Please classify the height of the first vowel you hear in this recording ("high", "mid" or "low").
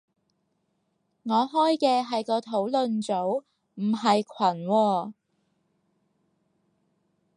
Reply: mid